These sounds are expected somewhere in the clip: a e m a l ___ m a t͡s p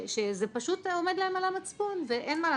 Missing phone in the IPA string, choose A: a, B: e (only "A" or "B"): A